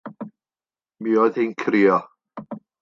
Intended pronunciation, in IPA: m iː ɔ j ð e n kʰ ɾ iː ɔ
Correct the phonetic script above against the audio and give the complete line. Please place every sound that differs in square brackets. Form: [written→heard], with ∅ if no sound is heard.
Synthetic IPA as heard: m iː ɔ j ð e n kʰ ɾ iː ɔ